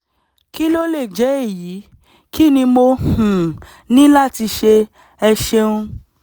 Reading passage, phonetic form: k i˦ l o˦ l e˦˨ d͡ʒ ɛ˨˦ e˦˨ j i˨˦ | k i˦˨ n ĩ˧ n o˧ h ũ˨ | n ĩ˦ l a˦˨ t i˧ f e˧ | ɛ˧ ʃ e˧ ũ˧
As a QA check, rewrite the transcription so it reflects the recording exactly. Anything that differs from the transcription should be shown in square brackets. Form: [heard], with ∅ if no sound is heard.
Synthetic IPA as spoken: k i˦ l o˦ l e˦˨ d͡ʒ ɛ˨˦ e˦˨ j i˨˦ | k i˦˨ n ĩ˧ [m] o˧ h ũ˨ | n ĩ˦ l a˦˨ t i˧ [ʃ] e˧ | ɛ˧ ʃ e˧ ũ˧